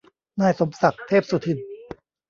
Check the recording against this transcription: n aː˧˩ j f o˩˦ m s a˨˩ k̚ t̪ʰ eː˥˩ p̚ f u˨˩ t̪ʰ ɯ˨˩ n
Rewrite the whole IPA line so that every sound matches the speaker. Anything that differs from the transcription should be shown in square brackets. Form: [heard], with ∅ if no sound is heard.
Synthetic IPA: n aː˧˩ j [s] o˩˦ m s a˨˩ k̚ t̪ʰ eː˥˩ p̚ [s] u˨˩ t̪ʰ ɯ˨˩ n